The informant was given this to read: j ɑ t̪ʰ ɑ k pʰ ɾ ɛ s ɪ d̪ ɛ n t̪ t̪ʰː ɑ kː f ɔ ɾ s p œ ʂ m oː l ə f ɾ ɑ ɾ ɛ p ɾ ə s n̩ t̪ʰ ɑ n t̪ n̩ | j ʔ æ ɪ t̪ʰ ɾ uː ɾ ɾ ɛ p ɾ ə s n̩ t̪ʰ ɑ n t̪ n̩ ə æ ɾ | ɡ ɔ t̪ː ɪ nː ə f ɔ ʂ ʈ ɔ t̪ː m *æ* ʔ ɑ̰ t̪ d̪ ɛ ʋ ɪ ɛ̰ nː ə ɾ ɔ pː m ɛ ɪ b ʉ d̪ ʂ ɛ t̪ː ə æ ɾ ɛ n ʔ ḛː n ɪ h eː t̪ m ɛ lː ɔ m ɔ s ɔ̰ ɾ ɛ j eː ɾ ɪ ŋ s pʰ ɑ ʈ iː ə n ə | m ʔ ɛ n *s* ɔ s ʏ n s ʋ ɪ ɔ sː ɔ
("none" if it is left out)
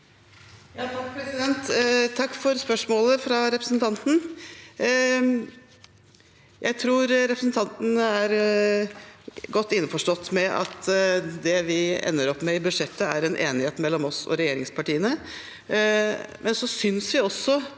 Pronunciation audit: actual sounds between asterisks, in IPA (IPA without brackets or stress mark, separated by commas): ɛ, s